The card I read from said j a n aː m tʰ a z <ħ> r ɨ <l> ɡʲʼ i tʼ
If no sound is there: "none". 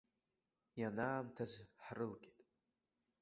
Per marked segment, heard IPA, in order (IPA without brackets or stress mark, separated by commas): ħ, l